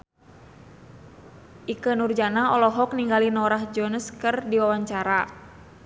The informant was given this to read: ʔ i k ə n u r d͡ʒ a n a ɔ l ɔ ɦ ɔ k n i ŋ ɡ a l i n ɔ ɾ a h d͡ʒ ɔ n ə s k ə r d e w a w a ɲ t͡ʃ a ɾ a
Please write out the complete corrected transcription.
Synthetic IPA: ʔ i k ə n u r d͡ʒ a n a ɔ l ɔ ɦ ɔ k n i ŋ ɡ a l i n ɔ ɾ a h d͡ʒ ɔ n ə s k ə r d i w a w a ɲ t͡ʃ a ɾ a